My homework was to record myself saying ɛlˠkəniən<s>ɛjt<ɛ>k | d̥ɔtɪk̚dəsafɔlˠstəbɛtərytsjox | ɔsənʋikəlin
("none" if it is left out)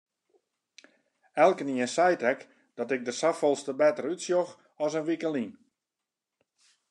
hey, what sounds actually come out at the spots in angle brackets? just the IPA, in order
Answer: s, ɛ

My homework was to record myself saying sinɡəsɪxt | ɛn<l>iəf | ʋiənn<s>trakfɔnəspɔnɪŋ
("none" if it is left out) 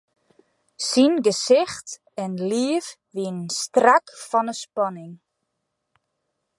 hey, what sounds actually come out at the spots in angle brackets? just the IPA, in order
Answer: l, s

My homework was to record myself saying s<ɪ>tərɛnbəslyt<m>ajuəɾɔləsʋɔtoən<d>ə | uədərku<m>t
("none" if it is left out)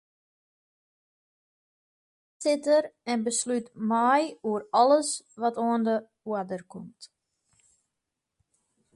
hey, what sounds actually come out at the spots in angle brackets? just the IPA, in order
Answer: ɪ, m, d, m

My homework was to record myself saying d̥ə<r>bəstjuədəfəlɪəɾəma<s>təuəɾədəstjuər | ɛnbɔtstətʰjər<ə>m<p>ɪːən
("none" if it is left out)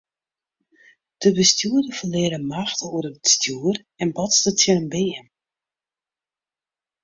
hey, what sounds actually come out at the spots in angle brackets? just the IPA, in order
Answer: none, x, ə, b

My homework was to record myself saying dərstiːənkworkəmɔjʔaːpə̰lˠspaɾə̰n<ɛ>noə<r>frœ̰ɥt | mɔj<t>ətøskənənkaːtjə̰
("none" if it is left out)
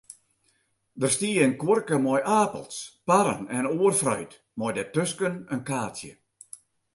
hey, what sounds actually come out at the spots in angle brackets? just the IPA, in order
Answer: ɛ, r, d

